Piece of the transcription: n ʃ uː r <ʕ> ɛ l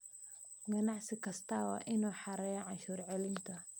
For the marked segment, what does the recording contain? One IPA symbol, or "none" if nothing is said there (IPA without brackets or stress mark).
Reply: ʕ